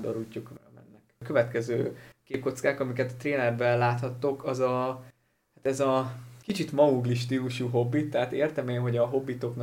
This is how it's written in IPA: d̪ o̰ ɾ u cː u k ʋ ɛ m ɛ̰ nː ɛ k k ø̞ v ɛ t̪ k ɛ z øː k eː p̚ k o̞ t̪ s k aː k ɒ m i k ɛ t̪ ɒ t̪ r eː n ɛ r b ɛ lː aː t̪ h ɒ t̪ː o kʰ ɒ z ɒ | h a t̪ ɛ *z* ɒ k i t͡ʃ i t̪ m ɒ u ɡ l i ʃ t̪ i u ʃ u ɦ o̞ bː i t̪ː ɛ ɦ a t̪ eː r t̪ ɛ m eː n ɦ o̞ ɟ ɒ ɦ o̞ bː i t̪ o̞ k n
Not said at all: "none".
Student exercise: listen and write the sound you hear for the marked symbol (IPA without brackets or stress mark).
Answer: z